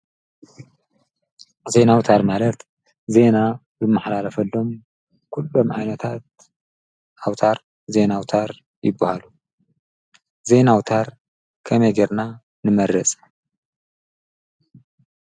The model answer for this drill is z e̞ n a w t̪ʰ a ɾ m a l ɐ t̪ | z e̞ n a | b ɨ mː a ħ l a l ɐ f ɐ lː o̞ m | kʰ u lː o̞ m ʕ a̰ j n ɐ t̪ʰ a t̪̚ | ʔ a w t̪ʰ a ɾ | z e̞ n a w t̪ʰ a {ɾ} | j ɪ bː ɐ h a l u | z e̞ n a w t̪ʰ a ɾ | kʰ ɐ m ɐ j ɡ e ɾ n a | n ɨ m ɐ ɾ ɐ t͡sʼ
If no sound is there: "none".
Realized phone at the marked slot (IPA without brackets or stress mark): ɾ